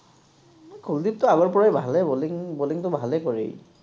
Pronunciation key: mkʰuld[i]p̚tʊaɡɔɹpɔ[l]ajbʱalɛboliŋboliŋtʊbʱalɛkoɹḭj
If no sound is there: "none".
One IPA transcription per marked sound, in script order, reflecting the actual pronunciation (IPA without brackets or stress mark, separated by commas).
i, ɹ